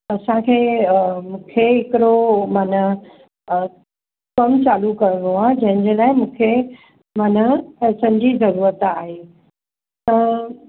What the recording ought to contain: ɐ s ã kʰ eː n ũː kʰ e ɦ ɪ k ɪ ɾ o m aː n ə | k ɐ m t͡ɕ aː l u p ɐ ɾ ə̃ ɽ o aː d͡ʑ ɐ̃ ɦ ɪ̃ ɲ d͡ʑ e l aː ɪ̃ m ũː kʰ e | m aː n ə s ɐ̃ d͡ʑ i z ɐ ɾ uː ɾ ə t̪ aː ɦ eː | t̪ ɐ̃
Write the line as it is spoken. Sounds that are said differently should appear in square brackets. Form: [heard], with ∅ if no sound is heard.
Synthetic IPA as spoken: ɐ s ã kʰ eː [m] ũː kʰ e ɦ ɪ k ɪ ɾ o m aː n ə | k ɐ m t͡ɕ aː l u [k] ɐ ɾ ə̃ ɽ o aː d͡ʑ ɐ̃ ɦ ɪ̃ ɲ d͡ʑ e l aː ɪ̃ m ũː kʰ e | m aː n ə s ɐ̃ d͡ʑ i z ɐ ɾ uː ɾ ə t̪ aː ɦ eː | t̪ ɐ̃